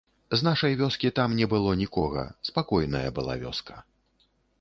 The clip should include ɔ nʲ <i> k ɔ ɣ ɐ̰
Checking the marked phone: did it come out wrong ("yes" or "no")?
no